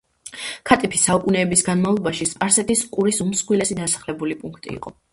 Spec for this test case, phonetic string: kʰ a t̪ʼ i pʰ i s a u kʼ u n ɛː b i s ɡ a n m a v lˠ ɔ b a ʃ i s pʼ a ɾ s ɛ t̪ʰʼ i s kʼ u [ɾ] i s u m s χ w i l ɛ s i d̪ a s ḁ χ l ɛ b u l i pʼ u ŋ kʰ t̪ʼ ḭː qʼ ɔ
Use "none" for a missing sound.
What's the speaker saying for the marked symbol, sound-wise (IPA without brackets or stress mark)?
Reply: ɾ